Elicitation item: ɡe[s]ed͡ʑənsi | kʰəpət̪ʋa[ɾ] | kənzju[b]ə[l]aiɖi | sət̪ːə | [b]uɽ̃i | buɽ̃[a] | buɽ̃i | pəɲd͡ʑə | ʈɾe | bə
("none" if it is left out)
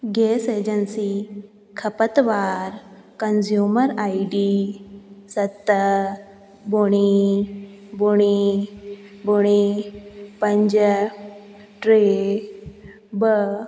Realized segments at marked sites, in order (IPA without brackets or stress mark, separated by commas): s, ɾ, m, ɾ, b, i